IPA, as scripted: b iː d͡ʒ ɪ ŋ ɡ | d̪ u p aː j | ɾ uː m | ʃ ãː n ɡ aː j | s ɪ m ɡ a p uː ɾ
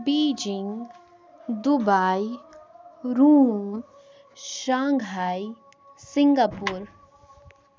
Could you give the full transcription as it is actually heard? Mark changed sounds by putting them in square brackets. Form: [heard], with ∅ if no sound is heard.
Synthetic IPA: b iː d͡ʒ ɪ ŋ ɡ | d̪ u [b] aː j | ɾ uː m | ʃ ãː [ŋ] ɡ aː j | s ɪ [ŋ] ɡ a p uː ɾ